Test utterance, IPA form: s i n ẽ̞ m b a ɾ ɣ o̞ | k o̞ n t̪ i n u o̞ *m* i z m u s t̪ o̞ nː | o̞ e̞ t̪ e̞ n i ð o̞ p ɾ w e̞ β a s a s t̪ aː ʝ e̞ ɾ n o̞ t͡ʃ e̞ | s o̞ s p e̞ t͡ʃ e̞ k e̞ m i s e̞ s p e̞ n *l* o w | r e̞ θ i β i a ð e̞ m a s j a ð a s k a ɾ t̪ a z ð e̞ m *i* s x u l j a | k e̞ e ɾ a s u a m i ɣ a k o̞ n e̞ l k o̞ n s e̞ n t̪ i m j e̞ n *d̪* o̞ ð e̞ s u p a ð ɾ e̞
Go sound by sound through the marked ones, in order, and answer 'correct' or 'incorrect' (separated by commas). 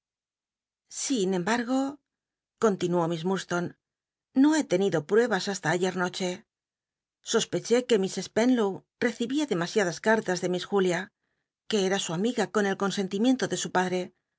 correct, correct, correct, incorrect